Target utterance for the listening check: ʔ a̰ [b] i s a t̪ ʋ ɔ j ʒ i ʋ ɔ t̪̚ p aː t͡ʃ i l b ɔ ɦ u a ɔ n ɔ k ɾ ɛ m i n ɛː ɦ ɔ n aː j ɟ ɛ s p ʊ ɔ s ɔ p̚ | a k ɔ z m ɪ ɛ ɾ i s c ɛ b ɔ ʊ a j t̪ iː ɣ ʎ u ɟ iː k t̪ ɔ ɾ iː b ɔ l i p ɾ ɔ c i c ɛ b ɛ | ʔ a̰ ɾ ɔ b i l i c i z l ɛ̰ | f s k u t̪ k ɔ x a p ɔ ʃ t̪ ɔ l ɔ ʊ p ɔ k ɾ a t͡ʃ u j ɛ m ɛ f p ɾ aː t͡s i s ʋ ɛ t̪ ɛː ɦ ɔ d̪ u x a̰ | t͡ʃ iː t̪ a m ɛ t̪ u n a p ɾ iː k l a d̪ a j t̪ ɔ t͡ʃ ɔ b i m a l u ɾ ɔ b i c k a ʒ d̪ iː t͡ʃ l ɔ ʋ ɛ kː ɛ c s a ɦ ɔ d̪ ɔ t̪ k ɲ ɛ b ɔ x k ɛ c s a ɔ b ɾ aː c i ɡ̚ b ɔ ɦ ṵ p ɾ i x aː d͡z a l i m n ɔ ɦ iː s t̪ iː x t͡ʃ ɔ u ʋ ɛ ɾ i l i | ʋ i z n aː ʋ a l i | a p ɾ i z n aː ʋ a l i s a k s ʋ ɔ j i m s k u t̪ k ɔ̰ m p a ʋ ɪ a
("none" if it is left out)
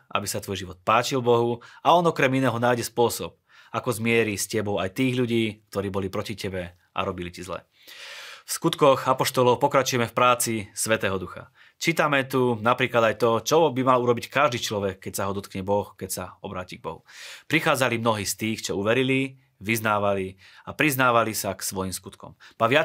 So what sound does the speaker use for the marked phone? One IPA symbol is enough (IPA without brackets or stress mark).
b